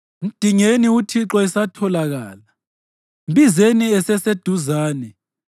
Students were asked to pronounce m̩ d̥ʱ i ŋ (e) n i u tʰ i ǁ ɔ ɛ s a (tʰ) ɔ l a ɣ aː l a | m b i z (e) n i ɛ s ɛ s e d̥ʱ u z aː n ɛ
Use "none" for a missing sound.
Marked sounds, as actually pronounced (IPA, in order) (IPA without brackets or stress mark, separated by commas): e, tʰ, e